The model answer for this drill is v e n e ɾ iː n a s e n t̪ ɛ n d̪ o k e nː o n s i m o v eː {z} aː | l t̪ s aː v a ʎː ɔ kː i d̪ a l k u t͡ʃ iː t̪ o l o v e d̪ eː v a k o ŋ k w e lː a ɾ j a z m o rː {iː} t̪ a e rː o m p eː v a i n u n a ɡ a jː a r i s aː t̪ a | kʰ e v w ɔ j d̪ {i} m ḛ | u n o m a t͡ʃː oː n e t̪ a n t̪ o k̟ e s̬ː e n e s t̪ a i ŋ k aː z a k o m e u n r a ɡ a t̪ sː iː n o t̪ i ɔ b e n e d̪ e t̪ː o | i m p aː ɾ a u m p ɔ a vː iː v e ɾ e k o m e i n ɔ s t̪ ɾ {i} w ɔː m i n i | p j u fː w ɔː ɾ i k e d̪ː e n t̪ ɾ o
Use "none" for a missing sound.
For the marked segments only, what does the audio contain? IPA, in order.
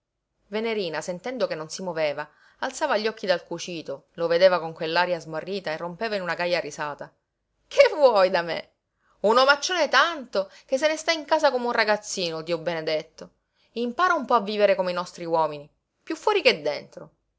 v, iː, a, i

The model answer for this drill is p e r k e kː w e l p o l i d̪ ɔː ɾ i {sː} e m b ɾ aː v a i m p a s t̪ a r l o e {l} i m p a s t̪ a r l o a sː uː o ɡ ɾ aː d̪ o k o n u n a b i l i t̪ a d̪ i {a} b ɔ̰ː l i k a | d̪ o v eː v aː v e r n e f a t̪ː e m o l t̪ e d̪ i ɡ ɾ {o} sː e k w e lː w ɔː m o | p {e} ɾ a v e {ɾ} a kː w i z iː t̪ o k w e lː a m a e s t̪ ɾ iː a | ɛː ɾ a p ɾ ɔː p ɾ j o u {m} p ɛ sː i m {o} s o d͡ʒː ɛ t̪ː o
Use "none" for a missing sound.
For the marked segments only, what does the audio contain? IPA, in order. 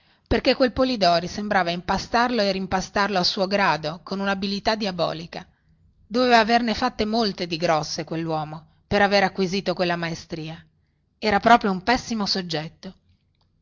s, r, a, ɔ, e, ɾ, m, o

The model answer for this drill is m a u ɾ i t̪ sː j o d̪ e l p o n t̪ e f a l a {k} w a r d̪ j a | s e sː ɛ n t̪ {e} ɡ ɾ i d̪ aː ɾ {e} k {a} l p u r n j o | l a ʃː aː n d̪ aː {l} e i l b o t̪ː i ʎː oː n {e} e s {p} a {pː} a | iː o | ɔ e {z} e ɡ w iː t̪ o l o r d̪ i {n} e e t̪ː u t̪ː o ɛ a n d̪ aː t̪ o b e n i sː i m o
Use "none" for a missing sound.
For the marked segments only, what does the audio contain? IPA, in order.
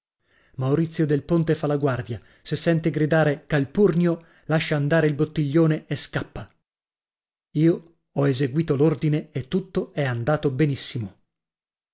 ɡ, e, e, a, ɾ, e, k, pː, z, n

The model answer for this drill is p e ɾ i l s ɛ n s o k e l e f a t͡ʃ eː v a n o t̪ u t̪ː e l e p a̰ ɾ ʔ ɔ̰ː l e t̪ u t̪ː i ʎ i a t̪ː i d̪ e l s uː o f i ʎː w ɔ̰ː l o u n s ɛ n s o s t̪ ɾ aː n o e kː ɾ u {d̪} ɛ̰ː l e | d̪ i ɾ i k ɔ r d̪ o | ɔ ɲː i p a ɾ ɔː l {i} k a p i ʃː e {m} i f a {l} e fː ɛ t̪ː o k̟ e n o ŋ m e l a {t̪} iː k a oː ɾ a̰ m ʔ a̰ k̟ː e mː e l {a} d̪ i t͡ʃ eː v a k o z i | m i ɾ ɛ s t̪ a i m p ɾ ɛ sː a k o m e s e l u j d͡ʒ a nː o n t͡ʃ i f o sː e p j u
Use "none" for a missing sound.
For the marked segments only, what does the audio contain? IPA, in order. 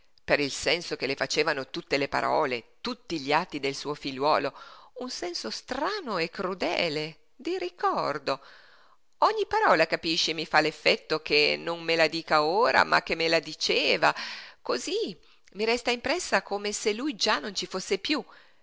d̪, a, m, l, d̪, a

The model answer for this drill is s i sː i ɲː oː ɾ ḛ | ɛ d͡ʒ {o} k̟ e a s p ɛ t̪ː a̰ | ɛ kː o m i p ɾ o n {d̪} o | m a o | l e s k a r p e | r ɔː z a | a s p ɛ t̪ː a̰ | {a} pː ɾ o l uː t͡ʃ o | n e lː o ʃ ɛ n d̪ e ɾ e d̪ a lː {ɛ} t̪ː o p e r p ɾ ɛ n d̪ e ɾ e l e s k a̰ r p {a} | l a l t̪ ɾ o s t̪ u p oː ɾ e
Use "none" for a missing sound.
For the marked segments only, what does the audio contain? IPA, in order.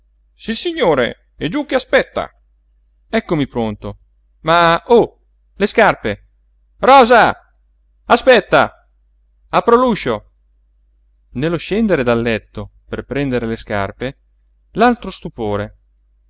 u, t̪, a, ɛ, e

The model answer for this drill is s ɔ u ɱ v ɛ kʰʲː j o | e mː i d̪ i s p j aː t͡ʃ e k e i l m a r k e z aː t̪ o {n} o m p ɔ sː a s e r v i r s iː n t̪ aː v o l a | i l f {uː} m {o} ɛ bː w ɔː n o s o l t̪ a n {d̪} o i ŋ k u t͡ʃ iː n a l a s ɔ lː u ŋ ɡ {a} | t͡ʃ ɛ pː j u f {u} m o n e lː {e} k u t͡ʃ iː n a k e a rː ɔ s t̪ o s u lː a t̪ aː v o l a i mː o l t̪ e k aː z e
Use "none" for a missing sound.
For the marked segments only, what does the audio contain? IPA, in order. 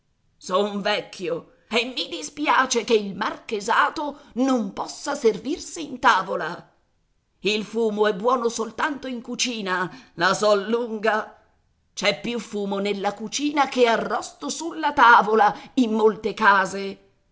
n, uː, o, t̪, a, uː, a

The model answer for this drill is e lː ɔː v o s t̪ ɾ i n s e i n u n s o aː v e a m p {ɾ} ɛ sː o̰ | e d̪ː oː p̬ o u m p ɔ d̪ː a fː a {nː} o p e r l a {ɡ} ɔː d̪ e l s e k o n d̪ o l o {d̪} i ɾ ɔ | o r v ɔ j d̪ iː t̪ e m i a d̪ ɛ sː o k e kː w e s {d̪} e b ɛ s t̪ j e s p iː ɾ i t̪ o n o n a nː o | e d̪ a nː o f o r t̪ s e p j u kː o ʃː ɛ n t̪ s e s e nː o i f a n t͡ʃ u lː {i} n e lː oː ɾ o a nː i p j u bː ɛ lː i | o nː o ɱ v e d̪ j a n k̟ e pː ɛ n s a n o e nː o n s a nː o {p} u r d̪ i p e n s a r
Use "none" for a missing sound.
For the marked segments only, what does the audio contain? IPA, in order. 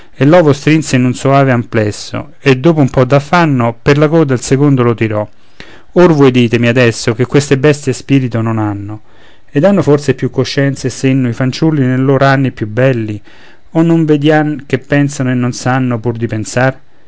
l, nː, k, t̪, t̪, i, p

